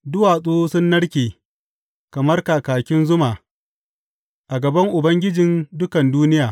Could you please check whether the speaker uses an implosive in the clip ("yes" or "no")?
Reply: no